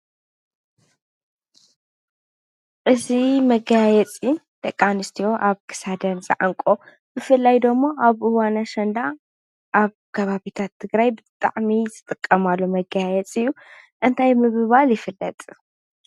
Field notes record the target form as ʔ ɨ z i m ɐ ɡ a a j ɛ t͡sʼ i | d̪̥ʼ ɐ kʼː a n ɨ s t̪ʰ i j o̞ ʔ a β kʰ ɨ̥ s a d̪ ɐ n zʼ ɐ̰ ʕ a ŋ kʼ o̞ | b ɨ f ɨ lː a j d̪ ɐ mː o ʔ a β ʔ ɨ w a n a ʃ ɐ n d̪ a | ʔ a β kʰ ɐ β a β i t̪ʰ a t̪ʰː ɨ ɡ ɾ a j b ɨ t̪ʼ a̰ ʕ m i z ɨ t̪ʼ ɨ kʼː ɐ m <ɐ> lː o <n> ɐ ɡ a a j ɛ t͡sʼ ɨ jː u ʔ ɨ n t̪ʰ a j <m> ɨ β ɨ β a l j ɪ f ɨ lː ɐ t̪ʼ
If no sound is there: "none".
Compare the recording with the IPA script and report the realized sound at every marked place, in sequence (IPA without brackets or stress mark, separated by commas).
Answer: a, m, m